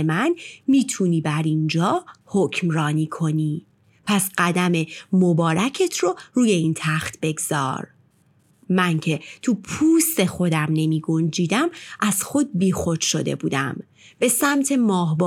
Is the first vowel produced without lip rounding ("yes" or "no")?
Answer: yes